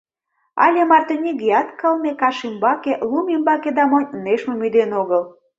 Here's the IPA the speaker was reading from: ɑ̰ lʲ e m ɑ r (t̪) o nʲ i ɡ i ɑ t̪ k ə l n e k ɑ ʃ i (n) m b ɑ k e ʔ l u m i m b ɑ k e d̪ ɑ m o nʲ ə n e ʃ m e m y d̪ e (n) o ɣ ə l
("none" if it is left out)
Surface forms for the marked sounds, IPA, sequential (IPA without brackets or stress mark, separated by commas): t̪, none, n